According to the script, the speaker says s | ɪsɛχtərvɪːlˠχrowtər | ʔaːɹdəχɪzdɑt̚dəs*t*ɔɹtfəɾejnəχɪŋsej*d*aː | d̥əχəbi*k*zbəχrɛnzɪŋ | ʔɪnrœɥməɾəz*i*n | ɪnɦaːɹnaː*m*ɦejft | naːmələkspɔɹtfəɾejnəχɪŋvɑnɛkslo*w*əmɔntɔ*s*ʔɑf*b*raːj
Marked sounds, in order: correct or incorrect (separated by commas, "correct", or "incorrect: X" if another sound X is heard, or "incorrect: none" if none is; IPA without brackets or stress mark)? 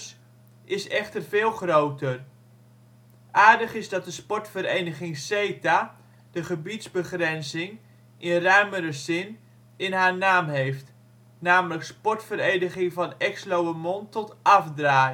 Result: incorrect: p, incorrect: t, incorrect: t, incorrect: ɪ, correct, correct, incorrect: t, incorrect: d